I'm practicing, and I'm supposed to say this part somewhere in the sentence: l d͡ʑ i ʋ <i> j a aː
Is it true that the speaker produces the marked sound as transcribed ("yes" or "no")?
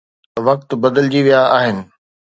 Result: yes